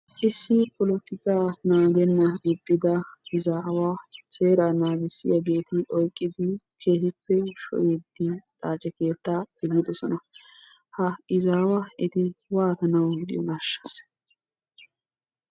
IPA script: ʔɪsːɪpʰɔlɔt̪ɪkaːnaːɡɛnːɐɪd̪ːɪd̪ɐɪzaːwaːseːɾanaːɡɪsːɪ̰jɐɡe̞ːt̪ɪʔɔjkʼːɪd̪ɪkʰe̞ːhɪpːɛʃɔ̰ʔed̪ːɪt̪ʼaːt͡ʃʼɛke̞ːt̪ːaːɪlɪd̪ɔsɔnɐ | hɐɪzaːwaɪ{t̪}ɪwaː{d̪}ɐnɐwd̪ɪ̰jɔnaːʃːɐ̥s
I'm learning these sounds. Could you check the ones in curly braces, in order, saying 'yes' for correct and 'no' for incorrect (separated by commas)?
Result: yes, no